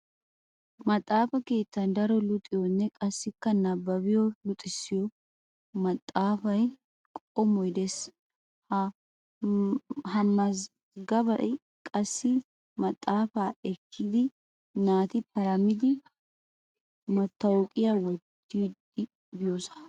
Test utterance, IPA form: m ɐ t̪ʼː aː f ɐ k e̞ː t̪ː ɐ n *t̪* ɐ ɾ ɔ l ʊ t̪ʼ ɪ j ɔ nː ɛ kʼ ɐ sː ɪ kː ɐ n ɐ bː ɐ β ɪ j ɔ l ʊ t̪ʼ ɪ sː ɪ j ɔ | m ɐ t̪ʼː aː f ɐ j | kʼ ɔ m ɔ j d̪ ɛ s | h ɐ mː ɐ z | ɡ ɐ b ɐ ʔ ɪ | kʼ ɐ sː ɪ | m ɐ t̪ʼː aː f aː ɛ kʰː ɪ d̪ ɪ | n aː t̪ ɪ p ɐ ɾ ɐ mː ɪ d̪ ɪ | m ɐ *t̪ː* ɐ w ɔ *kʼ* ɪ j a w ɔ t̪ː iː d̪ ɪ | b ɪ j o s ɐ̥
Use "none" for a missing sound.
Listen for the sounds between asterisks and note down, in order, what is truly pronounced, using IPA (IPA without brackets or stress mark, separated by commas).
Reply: d̪, t̪ː, kʼ